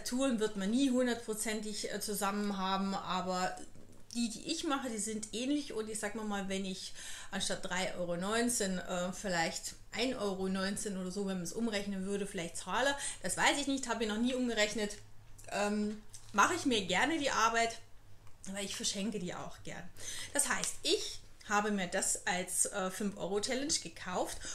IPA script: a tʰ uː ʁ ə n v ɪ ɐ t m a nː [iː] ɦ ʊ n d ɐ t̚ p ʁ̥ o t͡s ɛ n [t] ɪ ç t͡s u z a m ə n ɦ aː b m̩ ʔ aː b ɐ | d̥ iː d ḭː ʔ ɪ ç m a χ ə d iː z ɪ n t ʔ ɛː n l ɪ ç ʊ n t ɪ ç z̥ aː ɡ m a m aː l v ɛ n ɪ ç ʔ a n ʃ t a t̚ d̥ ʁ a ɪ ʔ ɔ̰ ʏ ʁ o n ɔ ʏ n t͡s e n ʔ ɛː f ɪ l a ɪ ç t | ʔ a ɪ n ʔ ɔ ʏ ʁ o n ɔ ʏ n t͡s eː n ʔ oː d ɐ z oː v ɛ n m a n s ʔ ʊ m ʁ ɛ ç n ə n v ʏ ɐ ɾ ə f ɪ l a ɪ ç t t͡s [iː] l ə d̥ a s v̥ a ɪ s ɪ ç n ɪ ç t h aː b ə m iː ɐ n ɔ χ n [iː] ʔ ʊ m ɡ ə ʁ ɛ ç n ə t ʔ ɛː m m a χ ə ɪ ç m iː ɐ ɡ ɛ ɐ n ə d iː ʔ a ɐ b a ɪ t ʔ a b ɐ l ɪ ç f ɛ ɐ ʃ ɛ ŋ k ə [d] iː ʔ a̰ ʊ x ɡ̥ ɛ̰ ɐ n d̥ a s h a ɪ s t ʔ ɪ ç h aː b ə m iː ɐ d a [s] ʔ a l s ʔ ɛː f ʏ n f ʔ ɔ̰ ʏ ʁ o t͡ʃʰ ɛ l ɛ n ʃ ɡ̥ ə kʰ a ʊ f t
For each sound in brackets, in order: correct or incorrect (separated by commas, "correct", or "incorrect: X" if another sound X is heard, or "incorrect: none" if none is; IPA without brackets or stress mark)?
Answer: correct, correct, incorrect: aː, correct, correct, correct